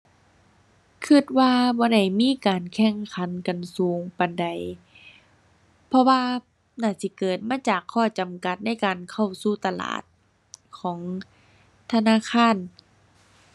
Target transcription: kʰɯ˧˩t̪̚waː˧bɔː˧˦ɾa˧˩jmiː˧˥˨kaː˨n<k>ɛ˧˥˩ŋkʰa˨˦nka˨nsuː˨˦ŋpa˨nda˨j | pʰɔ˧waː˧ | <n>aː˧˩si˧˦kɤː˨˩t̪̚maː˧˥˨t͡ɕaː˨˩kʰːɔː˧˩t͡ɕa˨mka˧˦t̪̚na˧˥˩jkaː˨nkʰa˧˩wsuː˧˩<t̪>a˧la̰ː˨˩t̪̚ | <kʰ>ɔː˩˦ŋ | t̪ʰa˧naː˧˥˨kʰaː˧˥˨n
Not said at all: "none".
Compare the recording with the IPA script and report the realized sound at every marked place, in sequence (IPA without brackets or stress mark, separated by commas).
kʰ, n, t̪, kʰ